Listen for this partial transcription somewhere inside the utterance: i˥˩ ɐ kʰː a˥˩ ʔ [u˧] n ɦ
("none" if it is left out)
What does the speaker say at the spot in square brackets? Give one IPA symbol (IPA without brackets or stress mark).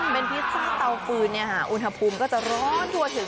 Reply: u˧